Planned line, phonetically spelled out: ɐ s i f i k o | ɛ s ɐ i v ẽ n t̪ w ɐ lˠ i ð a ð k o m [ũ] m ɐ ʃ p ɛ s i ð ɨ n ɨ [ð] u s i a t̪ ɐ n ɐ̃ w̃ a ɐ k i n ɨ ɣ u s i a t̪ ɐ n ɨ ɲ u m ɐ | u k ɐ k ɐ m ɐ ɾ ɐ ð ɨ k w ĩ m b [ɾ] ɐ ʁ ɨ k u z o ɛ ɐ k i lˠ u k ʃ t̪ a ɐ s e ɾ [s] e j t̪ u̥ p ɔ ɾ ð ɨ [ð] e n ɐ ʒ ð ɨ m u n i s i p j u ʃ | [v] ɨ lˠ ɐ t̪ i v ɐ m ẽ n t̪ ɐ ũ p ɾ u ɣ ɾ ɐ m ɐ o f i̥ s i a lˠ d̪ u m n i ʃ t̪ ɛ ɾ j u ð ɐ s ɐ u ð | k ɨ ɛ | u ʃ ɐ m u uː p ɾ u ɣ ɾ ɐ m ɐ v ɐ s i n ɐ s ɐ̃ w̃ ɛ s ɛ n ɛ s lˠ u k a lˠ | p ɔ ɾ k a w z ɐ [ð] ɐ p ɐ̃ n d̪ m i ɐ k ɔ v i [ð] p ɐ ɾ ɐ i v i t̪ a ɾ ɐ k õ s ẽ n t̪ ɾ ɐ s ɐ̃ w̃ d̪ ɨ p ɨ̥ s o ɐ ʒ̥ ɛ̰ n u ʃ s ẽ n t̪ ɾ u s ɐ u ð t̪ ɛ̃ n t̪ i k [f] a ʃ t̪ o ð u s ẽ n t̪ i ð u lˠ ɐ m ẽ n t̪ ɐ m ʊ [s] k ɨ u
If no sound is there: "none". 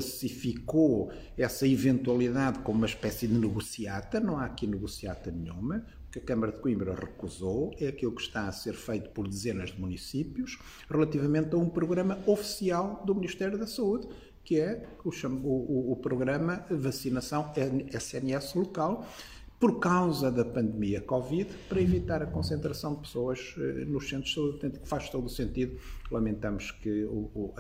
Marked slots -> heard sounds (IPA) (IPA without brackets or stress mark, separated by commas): u, ɣ, ɾ, f, z, ʁ, ð, ð, f, ʃ